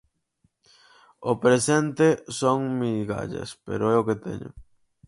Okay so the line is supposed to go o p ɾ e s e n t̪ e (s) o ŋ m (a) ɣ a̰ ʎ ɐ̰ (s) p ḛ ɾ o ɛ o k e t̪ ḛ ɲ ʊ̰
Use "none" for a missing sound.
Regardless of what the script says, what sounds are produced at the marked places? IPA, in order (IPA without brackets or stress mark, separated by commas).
s, i, s